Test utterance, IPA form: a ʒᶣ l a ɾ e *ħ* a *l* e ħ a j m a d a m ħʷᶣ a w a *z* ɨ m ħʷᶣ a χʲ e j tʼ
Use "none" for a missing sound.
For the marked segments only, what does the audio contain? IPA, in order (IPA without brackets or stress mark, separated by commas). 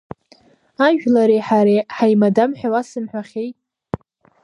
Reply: ħ, ɾ, s